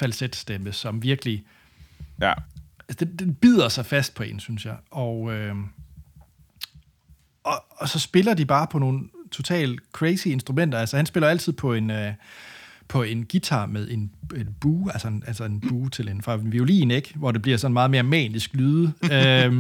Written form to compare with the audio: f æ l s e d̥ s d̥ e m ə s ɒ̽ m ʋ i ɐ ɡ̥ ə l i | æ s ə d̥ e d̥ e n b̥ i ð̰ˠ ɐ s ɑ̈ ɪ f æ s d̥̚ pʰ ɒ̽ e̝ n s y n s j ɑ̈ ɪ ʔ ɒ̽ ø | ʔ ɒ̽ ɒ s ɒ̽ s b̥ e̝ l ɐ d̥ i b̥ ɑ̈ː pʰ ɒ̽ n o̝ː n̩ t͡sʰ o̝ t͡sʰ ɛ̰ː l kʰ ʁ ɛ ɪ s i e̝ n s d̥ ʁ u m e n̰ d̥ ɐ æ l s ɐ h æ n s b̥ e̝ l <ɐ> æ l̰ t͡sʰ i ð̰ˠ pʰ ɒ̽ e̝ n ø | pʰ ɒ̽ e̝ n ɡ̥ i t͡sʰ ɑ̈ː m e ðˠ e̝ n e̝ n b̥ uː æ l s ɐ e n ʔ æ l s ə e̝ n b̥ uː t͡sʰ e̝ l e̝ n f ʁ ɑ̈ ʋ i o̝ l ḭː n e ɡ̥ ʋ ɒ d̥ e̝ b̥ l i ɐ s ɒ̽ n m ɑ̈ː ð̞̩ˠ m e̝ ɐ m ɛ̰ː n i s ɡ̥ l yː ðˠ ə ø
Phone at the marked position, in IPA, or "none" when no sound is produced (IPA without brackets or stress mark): ɐ